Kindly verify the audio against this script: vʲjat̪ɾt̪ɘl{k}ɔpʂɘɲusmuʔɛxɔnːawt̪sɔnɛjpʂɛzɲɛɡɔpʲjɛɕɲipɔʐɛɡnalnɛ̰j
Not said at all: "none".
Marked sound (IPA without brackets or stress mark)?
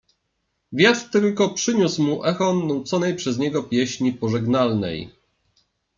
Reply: k